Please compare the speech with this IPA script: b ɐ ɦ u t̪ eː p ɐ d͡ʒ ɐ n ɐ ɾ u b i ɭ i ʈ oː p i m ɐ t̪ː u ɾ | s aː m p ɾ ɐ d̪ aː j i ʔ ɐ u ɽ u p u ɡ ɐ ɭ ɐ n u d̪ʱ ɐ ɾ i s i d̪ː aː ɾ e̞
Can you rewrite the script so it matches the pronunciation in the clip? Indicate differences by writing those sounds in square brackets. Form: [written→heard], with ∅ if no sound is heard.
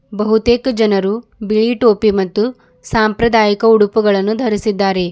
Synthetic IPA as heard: b ɐ ɦ u t̪ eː [p→k] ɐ d͡ʒ ɐ n ɐ ɾ u b i ɭ i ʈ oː p i m ɐ t̪ː u [ɾ→∅] | s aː m p ɾ ɐ d̪ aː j i [ʔ→k] ɐ u ɽ u p u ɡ ɐ ɭ ɐ [n→nː] u d̪ʱ ɐ ɾ i s i d̪ː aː ɾ e̞